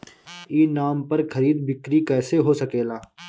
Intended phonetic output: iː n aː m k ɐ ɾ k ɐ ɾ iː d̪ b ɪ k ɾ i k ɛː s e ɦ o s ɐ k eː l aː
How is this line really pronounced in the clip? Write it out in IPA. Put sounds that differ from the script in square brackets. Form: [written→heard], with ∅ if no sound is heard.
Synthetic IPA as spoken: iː n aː m [k→p] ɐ ɾ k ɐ ɾ iː d̪ b ɪ k ɾ i k ɛː s e ɦ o s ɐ k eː l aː

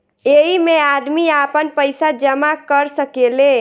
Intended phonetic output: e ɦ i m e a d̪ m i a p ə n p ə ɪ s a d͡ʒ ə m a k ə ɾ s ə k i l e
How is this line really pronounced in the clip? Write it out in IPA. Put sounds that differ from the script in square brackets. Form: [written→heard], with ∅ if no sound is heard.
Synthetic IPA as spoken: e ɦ i m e a d̪ m i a p ə n p ə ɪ s a d͡ʒ ə m a k ə ɾ s ə k [i→e] l e

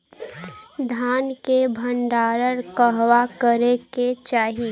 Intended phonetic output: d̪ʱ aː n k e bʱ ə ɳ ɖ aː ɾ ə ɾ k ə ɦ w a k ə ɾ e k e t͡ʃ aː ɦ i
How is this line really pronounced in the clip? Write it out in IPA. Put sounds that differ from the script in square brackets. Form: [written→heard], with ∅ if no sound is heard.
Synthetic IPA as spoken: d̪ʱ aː n k e bʱ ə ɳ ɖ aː ɾ ə ɾ k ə ɦ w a k ə ɾ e k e t͡ʃ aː ɦ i

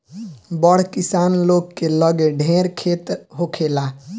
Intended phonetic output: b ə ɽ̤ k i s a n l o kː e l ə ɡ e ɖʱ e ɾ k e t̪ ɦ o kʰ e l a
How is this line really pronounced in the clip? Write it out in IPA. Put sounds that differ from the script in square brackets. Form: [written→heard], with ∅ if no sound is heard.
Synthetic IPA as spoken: b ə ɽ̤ k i s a n l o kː e l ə ɡ e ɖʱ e ɾ [k→kʰ] e t̪ ɦ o kʰ e l a

